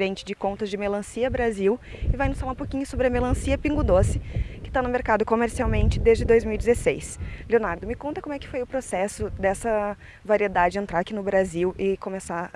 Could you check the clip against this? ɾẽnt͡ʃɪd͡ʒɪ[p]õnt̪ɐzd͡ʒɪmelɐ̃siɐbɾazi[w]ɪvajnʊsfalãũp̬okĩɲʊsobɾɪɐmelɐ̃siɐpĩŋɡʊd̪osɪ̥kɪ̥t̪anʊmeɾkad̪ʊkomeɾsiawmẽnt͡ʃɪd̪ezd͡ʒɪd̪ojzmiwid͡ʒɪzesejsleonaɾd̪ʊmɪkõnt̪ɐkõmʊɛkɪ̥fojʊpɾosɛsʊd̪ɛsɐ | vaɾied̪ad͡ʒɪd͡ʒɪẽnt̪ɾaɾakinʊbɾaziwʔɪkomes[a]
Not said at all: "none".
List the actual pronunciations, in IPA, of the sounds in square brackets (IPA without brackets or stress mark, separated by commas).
k, w, a